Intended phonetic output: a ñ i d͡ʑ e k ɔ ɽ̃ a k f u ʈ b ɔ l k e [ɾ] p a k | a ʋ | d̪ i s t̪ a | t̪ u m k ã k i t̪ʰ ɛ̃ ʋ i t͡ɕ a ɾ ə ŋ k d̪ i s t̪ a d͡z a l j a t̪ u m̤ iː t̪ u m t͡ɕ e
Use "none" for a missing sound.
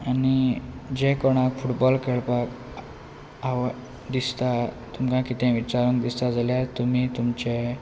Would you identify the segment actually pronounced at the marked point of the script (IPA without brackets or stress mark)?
ɭ